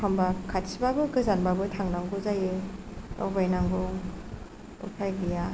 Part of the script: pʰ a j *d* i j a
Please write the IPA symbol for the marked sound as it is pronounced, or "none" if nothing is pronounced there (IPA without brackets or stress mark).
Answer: ɡ